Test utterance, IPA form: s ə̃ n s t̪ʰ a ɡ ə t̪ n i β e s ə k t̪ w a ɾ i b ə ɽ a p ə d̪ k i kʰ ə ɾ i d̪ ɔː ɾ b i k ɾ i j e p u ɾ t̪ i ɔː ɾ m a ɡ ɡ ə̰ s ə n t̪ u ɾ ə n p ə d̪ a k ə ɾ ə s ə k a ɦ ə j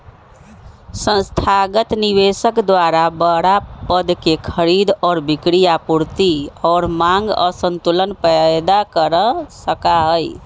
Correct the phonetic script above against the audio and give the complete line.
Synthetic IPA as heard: s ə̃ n s t̪ʰ a ɡ ə t̪ n i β e s ə k d̪ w a ɾ a b ə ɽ a p ə d̪ k e kʰ ə ɾ i d̪ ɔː ɾ b i k ɾ i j a p u ɾ t̪ i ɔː ɾ m a ŋ ɡ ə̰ s ə n t̪ u l ə n p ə d̪ a k ə ɾ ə s ə k a ɦ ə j